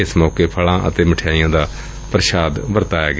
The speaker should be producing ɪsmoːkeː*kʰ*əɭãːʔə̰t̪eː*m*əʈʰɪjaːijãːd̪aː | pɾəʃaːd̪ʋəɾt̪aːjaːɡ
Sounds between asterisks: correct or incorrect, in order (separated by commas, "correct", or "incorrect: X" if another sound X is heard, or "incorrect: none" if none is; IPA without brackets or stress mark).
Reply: incorrect: pʰ, correct